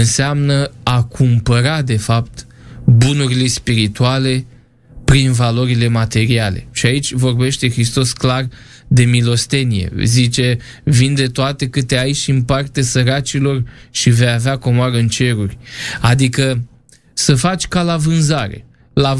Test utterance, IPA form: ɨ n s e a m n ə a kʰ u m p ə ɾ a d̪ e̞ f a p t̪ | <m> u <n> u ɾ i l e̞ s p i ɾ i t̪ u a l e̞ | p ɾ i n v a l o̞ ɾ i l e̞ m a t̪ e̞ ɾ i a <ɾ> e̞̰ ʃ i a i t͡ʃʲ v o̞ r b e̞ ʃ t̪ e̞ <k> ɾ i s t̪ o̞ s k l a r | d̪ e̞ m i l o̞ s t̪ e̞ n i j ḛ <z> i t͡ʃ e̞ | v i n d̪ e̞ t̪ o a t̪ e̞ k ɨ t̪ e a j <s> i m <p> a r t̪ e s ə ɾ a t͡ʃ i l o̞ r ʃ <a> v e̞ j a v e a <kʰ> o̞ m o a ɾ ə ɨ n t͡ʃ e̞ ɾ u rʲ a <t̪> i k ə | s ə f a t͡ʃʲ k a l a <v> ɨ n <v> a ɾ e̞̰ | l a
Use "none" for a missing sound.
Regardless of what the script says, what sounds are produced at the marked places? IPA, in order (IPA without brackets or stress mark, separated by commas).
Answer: b, n, l, x, z, ʃ, p, i, k, d̪, v, z